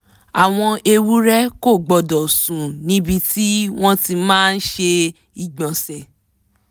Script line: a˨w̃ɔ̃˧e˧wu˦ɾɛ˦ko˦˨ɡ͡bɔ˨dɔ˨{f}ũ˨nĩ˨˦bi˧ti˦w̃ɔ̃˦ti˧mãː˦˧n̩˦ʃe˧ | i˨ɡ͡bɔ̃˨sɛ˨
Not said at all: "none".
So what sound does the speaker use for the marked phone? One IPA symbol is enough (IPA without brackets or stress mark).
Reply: s